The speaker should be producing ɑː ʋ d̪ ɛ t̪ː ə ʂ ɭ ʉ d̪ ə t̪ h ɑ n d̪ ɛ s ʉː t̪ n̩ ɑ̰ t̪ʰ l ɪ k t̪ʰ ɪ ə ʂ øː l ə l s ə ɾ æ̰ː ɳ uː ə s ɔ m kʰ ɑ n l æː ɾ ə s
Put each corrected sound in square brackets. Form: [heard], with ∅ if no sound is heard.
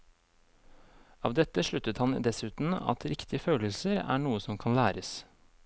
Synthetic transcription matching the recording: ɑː ʋ d̪ ɛ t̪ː ə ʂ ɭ ʉ [t̪] ə t̪ h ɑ n d̪ ɛ s ʉː t̪ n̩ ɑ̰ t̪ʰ [ɾ] ɪ k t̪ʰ ɪ ə [f] øː l ə l s ə ɾ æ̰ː ɳ uː ə s ɔ m kʰ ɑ n l æː ɾ ə s

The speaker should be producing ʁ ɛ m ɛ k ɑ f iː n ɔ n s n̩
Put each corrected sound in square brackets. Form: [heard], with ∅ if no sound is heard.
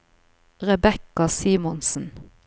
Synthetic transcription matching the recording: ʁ ɛ [b] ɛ k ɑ [s] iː [m] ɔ n s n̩

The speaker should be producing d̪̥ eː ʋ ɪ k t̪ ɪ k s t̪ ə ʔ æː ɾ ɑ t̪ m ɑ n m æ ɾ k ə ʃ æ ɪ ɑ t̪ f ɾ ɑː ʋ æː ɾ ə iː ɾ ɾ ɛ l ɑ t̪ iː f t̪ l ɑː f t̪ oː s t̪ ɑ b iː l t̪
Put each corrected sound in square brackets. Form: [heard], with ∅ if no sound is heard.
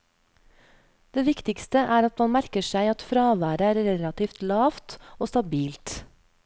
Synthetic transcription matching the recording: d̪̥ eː ʋ ɪ k t̪ ɪ k s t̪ ə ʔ æː ɾ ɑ t̪ m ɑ n m æ ɾ k ə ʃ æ ɪ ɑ t̪ f ɾ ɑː ʋ æː ɾ ə [æː] ɾ ɾ ɛ l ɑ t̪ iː f t̪ l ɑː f t̪ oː s t̪ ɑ b iː l t̪

